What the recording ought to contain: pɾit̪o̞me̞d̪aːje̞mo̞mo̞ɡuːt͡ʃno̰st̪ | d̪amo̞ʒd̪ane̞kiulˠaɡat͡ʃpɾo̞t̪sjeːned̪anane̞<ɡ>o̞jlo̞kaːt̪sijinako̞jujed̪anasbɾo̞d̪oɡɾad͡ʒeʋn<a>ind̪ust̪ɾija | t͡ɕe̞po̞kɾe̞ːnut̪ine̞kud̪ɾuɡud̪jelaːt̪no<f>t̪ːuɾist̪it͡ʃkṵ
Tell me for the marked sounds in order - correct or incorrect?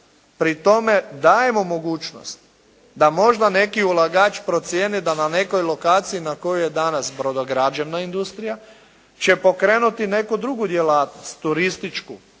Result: incorrect: k, correct, incorrect: s

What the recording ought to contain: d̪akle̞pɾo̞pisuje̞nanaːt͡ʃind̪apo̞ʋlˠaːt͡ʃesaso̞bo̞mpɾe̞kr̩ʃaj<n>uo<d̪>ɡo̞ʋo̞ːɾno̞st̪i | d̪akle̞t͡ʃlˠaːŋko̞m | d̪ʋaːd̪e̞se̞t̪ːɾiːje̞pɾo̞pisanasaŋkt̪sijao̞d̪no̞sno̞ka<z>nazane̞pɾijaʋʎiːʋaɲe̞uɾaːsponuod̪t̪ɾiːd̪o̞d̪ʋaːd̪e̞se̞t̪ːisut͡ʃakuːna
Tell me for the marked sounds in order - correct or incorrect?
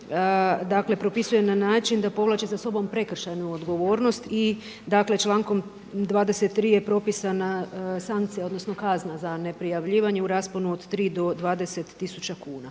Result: correct, correct, correct

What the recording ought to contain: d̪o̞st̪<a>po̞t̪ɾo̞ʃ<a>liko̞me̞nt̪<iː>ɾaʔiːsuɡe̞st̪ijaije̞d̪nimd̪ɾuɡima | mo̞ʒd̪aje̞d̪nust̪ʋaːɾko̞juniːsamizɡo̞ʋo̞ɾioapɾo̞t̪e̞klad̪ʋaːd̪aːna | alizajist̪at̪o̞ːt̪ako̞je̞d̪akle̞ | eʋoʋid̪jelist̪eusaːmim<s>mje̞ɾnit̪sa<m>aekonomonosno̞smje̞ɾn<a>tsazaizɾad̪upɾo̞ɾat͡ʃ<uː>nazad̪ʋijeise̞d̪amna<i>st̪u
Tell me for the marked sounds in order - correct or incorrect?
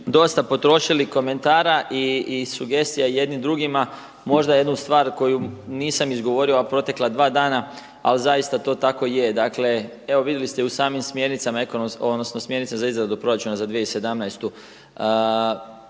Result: correct, incorrect: i, incorrect: aː, correct, correct, incorrect: i, incorrect: u, incorrect: j

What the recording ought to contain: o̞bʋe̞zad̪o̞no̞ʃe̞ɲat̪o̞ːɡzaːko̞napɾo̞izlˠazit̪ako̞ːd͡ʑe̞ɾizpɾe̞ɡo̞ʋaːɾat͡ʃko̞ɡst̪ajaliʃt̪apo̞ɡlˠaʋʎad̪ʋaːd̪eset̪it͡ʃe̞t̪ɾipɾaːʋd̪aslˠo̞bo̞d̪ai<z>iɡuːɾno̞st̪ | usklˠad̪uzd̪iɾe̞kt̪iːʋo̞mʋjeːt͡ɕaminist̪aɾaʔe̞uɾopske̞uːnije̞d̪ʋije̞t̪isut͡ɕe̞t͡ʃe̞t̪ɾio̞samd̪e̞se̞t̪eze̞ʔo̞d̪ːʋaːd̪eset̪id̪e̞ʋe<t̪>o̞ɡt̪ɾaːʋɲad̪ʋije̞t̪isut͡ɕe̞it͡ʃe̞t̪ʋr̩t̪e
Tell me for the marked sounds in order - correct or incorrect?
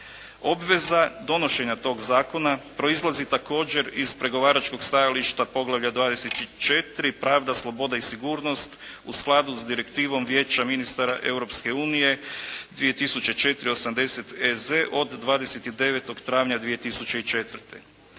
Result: incorrect: s, correct

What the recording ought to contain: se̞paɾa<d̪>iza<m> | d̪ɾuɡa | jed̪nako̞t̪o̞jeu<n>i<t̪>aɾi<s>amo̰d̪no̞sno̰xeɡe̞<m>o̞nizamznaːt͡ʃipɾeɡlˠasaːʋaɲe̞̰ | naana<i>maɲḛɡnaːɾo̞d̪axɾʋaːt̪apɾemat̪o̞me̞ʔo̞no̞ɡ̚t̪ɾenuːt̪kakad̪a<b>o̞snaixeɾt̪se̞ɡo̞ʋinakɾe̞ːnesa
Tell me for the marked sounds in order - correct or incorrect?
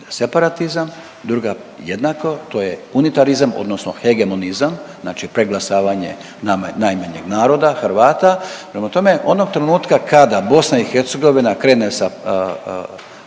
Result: incorrect: t̪, correct, correct, correct, incorrect: z, correct, incorrect: j, correct

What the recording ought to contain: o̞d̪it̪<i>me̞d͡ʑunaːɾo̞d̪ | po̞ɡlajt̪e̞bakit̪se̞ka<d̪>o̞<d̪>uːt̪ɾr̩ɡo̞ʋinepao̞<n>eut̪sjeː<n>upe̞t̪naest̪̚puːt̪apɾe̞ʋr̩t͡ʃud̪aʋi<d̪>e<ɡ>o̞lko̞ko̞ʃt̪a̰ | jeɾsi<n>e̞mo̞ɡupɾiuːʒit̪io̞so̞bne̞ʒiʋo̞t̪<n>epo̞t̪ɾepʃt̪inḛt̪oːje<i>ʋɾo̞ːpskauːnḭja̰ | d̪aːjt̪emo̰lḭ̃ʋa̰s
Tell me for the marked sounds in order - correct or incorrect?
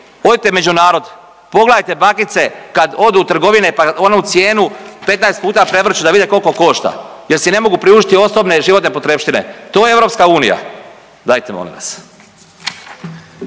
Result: incorrect: e, correct, correct, correct, correct, correct, incorrect: k, correct, correct, incorrect: e

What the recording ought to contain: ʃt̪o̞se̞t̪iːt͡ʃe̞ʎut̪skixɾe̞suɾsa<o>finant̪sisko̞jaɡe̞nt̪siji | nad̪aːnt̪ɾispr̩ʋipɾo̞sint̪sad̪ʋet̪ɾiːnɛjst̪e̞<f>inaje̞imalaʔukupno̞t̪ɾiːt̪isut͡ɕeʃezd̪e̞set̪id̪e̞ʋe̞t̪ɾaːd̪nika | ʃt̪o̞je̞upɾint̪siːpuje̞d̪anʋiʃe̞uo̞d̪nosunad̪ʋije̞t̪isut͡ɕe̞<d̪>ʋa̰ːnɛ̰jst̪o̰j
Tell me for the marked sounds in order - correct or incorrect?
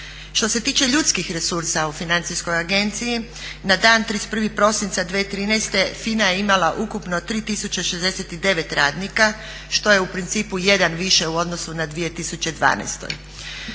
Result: incorrect: u, correct, correct

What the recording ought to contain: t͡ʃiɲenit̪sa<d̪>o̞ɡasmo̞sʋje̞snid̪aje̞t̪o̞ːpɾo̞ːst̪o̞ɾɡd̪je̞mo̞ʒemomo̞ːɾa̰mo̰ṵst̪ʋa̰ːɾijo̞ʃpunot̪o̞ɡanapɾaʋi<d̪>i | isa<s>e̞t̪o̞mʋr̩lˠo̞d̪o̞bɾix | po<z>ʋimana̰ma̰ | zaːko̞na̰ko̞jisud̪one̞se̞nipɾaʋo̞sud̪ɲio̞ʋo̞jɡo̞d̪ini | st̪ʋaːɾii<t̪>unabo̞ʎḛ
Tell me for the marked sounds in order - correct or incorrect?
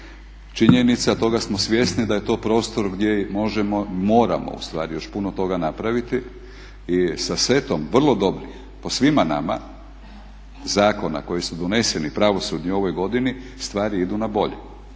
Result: incorrect: t̪, incorrect: t̪, correct, incorrect: s, incorrect: d̪

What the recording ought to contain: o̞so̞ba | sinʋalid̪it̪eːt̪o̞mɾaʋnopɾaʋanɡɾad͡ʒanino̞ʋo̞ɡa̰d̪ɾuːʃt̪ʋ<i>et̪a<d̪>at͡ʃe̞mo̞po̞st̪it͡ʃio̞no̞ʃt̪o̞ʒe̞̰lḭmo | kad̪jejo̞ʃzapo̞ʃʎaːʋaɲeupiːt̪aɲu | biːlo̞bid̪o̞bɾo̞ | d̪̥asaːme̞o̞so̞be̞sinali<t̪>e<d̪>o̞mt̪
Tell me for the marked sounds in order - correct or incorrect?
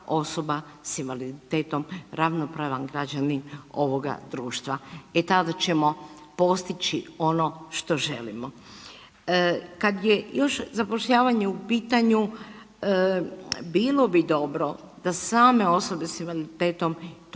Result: incorrect: a, correct, correct, incorrect: t̪

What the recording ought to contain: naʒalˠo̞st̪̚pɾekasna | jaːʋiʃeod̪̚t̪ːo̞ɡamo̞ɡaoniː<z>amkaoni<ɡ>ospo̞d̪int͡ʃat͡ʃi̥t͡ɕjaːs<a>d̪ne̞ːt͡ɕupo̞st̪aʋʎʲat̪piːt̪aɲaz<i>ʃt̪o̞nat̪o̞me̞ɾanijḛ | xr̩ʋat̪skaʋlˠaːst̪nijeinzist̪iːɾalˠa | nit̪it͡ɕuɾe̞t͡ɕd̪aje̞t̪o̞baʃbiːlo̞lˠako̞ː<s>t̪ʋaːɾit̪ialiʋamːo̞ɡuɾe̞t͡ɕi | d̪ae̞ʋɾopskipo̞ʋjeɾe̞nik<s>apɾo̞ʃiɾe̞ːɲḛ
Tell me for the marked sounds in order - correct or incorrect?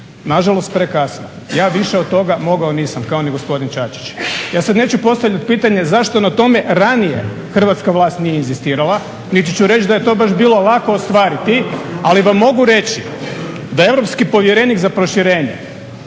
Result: incorrect: s, correct, correct, incorrect: a, correct, incorrect: z

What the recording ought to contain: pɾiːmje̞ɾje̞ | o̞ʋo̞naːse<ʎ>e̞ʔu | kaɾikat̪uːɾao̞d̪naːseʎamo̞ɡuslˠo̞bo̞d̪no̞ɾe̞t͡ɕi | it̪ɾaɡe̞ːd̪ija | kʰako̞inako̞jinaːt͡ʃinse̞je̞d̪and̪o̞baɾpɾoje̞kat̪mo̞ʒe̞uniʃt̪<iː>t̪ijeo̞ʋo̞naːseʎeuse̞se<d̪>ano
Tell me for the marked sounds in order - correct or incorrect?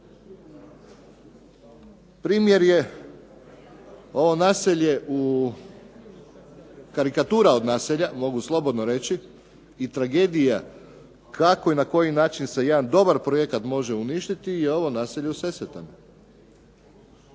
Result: correct, incorrect: i, incorrect: t̪

